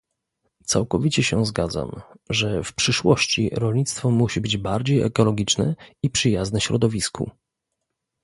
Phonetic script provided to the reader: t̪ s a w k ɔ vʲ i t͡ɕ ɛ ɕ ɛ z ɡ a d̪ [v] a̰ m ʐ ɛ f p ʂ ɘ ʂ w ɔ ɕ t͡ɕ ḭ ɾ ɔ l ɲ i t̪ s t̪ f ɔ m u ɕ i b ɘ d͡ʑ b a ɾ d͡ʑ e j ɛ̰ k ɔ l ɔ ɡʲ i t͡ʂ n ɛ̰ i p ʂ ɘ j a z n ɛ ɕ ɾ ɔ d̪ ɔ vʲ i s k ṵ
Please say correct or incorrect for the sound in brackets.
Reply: incorrect